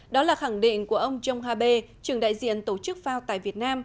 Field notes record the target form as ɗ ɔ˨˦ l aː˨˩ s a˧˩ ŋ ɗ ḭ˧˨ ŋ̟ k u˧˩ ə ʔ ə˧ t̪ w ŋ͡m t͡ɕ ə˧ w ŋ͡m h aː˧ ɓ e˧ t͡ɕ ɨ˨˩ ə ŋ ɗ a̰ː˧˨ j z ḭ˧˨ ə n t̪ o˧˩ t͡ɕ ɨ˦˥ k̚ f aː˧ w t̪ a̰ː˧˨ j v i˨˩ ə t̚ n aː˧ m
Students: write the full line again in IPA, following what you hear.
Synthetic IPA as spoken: ɗ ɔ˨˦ l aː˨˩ x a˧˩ ŋ ɗ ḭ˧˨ ŋ̟ k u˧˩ ə ʔ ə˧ w ŋ͡m t͡ɕ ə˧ w ŋ͡m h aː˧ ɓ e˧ t͡ɕ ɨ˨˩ ə ŋ ɗ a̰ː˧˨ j z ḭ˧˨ ə n t̪ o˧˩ t͡ɕ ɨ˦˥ k̚ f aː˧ w t̪ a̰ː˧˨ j v i˨˩ ə t̚ n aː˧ m